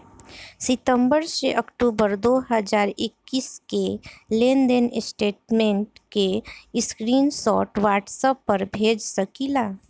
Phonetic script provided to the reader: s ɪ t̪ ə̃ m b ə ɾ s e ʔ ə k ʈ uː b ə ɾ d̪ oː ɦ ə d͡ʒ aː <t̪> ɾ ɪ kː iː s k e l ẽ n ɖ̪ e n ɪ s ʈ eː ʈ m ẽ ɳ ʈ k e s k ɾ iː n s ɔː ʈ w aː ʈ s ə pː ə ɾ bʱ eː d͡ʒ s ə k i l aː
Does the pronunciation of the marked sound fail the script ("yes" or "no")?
yes